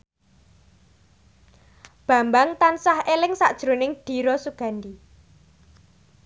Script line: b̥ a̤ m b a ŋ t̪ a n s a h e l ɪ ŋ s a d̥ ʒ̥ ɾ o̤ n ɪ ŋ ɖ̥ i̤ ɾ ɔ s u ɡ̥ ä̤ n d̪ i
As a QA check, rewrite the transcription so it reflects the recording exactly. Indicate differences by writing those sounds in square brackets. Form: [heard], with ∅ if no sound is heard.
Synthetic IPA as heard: b̥ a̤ m b a ŋ t̪ a n s a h e l ɪ ŋ s a d̥ ʒ̥ ɾ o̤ n ɪ ŋ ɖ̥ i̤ ɾ ɔ s u ɡ̥ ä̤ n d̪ i